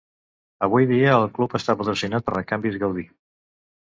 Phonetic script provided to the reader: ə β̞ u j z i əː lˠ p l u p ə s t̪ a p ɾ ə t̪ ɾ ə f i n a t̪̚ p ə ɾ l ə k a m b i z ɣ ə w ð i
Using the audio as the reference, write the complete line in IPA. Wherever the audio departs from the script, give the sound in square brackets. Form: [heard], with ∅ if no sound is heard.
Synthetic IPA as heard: ə β̞ u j [ð] i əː lˠ [k] l u p ə s t̪ a p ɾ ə t̪ ɾ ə [s] i n a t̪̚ p ə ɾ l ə k a m b i z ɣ ə w ð i